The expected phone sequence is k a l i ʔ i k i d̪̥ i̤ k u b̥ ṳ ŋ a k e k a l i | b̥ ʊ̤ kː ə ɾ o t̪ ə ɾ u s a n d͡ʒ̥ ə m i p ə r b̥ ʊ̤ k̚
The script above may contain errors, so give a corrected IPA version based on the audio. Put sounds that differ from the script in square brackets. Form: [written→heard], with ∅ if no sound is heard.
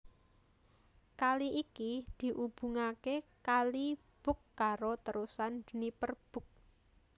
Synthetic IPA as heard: k a l i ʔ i k i d̪̥ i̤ [k→ʔ] u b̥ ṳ ŋ a k e k a l i | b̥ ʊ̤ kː [ə→a] ɾ o t̪ ə ɾ u s a n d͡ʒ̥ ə [m→n] i p ə r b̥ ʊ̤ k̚